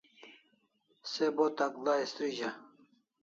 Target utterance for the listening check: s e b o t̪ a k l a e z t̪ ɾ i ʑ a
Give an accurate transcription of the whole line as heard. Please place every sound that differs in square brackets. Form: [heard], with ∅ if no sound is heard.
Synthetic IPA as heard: s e b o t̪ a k l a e [s] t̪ ɾ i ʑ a